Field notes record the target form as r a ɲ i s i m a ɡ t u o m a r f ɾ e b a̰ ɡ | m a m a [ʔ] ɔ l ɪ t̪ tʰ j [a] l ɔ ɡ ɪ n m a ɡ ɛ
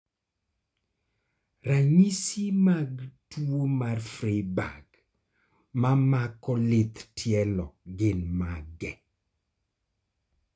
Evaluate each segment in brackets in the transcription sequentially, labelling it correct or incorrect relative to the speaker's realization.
incorrect: k, incorrect: ɛ

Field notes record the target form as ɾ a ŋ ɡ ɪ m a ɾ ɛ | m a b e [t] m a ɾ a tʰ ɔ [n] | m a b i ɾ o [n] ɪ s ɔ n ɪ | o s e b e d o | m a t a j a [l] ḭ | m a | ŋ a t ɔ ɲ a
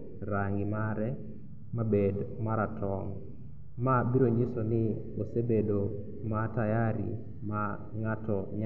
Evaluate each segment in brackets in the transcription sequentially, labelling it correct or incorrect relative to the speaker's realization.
incorrect: d, incorrect: ŋ, incorrect: ɲ, incorrect: ɾ

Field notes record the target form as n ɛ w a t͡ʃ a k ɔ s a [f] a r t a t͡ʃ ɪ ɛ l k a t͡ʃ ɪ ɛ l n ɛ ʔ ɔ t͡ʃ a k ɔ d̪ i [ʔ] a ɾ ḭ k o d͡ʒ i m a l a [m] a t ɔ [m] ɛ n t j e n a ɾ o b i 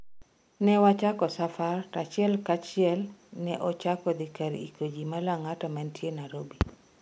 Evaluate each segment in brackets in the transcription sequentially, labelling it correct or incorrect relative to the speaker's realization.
correct, incorrect: k, incorrect: ŋ, correct

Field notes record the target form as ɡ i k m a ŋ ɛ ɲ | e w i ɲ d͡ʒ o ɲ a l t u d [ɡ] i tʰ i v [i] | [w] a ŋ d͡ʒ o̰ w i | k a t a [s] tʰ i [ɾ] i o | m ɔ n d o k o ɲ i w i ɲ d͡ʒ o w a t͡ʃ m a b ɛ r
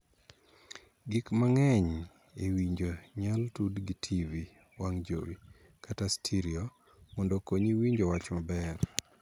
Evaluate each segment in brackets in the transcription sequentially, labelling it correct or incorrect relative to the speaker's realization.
correct, correct, correct, correct, correct

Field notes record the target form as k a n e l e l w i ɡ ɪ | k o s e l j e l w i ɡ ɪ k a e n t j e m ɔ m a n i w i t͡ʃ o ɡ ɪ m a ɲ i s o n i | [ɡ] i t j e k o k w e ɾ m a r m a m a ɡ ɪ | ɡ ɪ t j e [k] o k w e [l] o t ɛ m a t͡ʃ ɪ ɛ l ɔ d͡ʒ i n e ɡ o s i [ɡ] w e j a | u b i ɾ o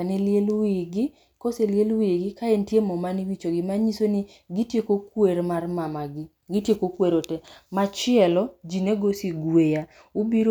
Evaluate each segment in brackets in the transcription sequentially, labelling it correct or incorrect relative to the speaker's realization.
correct, correct, incorrect: ɾ, correct

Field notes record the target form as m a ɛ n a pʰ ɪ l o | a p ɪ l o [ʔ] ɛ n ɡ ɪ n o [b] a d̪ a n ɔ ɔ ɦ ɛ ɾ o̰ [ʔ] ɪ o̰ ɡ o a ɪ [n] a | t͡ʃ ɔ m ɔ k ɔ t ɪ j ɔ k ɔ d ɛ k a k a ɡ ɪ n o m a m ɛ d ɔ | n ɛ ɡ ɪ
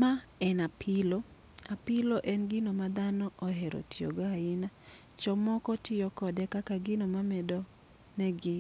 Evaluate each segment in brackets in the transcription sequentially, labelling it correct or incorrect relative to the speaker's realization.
correct, incorrect: m, incorrect: t, correct

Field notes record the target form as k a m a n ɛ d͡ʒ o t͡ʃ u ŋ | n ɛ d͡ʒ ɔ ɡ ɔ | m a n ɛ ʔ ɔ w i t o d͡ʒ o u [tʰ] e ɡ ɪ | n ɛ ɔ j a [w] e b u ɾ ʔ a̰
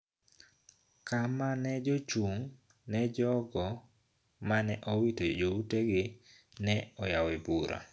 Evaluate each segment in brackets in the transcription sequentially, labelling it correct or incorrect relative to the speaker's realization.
incorrect: t, correct

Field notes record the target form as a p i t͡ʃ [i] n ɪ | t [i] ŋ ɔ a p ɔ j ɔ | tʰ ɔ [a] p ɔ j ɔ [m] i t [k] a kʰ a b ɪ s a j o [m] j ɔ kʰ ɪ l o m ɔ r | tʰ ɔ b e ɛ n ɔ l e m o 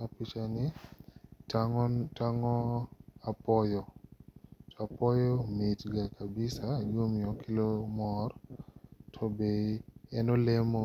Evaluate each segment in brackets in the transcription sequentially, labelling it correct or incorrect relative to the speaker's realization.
incorrect: a, incorrect: a, correct, correct, incorrect: ɡ, correct

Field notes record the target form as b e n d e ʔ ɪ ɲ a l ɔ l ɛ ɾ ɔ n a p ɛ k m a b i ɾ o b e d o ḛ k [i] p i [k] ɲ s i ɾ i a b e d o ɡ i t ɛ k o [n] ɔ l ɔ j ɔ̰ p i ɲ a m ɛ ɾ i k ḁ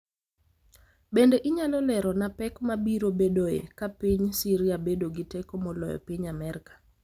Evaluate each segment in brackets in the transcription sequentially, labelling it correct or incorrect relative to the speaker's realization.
incorrect: a, incorrect: none, incorrect: m

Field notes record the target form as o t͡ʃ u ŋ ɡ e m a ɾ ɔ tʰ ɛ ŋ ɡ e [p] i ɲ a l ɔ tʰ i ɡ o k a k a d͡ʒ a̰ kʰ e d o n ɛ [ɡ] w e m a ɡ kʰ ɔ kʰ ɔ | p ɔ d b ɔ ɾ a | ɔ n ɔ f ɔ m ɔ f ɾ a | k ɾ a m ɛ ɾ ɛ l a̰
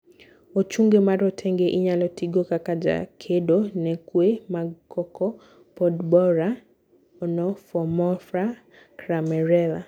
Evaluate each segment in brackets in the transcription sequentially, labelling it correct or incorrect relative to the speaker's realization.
incorrect: ʔ, incorrect: k

